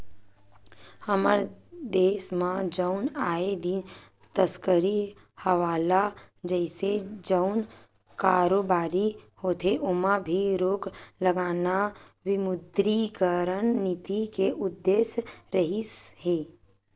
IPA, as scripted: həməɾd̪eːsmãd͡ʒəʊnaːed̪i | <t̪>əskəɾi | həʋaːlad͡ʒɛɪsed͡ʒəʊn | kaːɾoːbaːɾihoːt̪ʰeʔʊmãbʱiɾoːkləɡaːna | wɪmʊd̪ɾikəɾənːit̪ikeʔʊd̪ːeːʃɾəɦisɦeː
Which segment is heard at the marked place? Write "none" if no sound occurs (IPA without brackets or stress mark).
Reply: t̪